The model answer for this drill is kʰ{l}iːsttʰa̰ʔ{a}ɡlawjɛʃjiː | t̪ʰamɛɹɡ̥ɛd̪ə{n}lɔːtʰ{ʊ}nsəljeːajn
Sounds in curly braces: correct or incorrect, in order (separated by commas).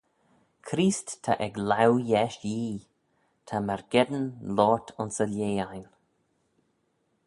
incorrect, incorrect, correct, correct